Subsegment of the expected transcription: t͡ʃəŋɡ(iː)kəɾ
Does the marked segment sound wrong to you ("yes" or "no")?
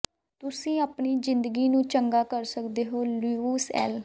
yes